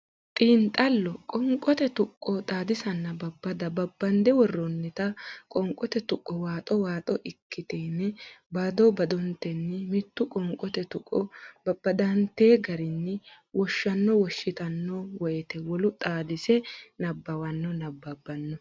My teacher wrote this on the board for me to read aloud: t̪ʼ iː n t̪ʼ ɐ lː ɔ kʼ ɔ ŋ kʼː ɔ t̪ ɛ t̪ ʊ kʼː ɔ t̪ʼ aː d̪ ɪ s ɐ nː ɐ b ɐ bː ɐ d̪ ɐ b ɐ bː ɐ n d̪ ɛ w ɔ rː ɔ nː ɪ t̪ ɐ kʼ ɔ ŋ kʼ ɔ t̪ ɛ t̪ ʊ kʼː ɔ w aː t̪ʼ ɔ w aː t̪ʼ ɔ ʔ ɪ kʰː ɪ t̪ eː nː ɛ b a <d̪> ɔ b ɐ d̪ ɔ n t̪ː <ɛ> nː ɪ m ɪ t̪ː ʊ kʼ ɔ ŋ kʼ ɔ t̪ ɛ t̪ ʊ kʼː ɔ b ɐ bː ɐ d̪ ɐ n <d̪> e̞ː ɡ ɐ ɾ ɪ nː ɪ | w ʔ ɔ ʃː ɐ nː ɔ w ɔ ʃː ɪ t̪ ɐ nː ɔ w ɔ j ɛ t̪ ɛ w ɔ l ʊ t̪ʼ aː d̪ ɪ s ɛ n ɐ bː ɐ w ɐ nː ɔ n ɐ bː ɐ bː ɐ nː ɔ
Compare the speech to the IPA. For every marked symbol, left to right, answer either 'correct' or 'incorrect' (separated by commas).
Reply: correct, correct, incorrect